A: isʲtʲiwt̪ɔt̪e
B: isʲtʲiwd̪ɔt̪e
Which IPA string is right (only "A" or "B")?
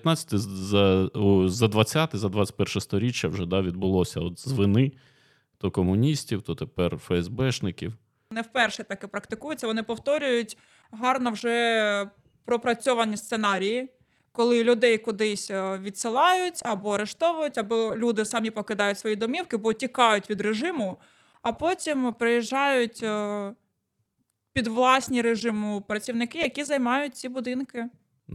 A